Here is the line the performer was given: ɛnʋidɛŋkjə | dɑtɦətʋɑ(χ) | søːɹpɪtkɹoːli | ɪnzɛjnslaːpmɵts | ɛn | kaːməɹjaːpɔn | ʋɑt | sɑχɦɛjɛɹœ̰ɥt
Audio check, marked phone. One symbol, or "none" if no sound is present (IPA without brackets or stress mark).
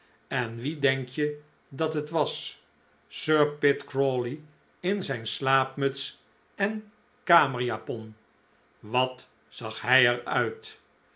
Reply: s